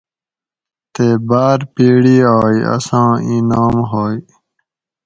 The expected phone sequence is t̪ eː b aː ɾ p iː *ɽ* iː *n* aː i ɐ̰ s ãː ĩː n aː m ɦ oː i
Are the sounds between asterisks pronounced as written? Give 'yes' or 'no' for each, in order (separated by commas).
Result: yes, no